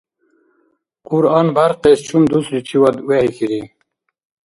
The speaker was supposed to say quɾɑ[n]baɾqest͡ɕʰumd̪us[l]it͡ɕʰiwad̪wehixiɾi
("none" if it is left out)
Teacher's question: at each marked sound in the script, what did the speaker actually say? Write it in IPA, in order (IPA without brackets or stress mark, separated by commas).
n, ɾ